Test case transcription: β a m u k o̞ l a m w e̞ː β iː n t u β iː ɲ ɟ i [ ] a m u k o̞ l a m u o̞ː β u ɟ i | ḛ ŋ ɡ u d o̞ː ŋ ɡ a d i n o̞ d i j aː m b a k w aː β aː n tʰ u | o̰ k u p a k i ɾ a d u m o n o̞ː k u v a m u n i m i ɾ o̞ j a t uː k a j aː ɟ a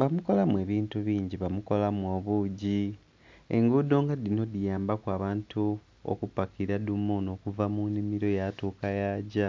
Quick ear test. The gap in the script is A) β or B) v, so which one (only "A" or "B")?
A